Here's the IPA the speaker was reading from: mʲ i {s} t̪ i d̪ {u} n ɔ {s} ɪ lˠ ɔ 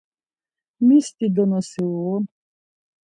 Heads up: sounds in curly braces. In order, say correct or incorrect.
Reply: correct, incorrect: ɔ, correct

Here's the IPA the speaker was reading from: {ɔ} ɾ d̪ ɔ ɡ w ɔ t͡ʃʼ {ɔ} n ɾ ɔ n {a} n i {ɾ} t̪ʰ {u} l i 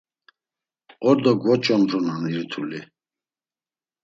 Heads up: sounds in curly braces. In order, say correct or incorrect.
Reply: correct, correct, correct, correct, correct

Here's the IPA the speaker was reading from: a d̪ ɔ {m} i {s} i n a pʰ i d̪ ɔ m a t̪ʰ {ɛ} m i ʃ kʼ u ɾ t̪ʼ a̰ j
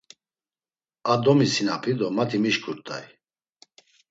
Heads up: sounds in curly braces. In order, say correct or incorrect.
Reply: correct, correct, incorrect: i

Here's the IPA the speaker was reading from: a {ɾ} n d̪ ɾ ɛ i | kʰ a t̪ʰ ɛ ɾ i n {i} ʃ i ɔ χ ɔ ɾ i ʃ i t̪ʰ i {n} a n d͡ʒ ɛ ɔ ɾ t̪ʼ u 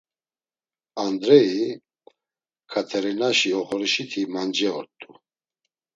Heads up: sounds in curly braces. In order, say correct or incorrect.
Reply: incorrect: none, incorrect: a, incorrect: m

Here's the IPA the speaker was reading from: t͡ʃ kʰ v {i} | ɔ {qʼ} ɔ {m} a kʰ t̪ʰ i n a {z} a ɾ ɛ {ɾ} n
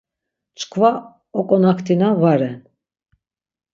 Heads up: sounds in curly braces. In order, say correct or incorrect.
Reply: incorrect: a, incorrect: kʼ, incorrect: n, incorrect: v, incorrect: none

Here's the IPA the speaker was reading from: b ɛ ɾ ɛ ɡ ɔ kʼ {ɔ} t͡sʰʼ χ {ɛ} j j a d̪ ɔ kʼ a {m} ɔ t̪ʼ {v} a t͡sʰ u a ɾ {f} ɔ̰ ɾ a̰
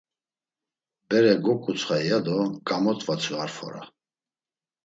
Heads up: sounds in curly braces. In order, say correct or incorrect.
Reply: incorrect: u, incorrect: a, correct, correct, correct

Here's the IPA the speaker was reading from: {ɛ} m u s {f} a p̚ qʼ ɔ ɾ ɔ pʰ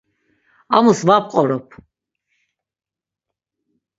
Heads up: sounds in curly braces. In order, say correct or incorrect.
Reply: incorrect: a, incorrect: v

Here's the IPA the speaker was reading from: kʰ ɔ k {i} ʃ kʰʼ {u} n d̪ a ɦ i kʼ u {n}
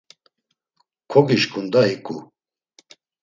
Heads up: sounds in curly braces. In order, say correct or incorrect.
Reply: correct, correct, incorrect: none

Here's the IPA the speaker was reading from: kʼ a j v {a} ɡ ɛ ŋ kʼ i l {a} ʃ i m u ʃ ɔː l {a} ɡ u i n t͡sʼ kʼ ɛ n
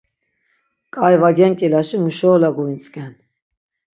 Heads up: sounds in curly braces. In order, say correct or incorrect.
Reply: correct, correct, correct

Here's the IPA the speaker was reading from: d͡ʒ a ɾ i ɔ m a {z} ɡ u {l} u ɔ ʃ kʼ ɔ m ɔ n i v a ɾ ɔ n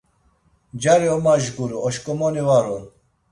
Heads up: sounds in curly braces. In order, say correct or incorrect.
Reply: incorrect: ʒ, incorrect: ɾ

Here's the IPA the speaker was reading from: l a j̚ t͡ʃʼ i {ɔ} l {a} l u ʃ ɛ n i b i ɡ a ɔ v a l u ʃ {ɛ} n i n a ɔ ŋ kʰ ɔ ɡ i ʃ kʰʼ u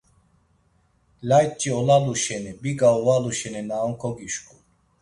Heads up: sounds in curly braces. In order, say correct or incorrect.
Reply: correct, correct, correct

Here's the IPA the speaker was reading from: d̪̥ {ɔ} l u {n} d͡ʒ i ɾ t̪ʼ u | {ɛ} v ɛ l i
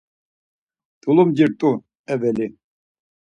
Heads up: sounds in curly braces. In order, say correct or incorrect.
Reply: incorrect: u, incorrect: m, correct

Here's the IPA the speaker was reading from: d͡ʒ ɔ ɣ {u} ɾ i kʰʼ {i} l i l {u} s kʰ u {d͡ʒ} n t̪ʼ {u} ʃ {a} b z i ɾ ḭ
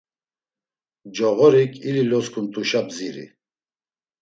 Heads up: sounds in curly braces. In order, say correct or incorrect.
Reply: incorrect: ɔ, correct, incorrect: ɔ, incorrect: none, correct, correct

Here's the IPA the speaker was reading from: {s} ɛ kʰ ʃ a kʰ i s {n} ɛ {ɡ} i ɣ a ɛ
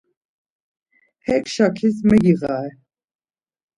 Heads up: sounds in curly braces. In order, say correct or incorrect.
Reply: incorrect: h, incorrect: m, correct

